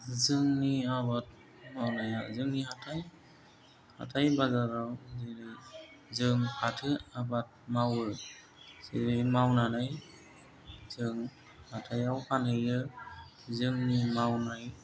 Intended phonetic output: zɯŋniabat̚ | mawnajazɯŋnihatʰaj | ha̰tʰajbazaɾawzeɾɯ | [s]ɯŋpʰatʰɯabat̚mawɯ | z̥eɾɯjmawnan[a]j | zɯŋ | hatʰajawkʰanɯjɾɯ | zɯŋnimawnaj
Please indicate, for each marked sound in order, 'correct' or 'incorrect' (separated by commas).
incorrect, correct